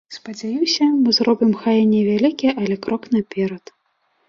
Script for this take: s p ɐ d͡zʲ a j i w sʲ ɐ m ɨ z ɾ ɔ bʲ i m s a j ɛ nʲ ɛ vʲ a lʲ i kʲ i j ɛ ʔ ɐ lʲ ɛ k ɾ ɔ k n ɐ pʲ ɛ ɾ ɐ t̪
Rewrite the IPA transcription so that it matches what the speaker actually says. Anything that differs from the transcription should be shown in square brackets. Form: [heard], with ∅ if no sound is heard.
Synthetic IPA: s p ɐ d͡zʲ a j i w sʲ ɐ m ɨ z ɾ ɔ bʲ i m [x] a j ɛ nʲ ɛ vʲ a lʲ i kʲ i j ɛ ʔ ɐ lʲ ɛ k ɾ ɔ k n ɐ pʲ ɛ ɾ ɐ t̪